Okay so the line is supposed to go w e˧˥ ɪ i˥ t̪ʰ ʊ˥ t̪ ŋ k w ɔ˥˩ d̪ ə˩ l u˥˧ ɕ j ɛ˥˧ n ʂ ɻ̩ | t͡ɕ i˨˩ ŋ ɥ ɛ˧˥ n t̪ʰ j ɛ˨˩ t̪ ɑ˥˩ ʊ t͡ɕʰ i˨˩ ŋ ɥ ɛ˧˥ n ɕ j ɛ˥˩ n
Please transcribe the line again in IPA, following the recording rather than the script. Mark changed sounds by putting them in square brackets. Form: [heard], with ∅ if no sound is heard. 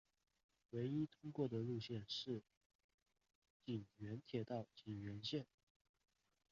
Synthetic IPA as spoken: w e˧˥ ɪ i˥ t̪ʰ ʊ˥ [∅] ŋ k w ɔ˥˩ d̪ ə˩ l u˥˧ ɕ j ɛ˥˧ n ʂ ɻ̩ | t͡ɕ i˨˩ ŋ ɥ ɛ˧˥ n t̪ʰ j ɛ˨˩ t̪ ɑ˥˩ ʊ [t͡ɕ] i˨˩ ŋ ɥ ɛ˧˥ n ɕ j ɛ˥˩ n